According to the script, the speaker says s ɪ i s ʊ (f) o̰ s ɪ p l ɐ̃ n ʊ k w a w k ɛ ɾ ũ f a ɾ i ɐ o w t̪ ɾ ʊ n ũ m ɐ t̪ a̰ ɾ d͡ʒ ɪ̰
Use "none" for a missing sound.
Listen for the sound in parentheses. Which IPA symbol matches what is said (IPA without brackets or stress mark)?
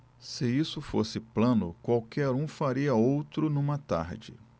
f